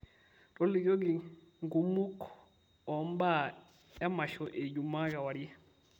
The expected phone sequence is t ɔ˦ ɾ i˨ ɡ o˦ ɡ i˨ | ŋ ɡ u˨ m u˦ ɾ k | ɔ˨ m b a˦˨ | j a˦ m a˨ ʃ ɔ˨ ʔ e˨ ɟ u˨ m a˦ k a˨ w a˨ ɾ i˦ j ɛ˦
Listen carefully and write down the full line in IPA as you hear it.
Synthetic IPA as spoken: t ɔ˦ l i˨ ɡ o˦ ɡ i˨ | ŋ ɡ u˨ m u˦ k | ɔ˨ m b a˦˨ | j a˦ m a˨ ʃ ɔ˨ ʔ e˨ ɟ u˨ m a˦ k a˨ w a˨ ɾ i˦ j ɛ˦